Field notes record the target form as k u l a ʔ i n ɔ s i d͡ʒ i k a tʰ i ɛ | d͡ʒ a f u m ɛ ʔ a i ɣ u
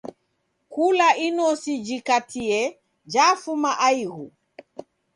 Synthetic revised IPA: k u l a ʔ i n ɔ s i d͡ʒ i k a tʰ i ɛ | d͡ʒ a f u m a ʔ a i ɣ u